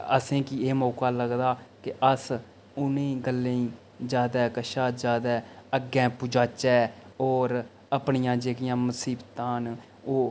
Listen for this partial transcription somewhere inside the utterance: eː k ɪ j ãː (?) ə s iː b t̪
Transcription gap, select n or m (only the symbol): m